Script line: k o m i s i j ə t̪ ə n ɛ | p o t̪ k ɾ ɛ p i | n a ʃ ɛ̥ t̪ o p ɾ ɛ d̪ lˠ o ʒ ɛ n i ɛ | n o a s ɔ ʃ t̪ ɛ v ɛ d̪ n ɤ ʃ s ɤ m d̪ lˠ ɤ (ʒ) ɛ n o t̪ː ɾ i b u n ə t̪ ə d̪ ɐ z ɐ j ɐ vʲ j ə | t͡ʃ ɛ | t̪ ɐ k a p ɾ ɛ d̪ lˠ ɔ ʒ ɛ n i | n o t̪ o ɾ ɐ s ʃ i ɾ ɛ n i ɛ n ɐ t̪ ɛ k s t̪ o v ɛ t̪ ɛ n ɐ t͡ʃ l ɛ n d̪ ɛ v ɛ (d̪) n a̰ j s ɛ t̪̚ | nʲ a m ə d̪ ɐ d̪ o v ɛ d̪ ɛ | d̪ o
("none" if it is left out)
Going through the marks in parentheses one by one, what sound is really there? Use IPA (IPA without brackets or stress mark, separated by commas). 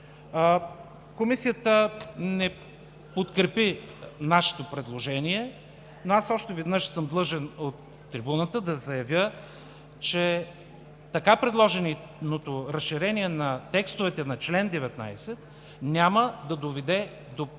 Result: ʒ, t̪